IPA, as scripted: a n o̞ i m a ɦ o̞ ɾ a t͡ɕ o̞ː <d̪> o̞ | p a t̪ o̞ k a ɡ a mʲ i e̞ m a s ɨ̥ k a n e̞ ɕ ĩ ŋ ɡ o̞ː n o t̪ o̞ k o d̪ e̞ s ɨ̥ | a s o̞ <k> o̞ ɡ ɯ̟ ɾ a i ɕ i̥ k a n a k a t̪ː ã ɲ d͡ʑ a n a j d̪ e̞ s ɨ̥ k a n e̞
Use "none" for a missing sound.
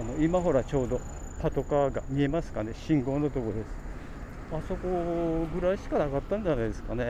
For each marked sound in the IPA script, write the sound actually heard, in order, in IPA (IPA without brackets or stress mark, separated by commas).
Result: d̪, k